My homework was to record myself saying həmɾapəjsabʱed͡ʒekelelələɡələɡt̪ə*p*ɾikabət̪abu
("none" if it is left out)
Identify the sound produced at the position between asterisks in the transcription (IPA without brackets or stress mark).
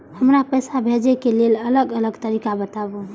none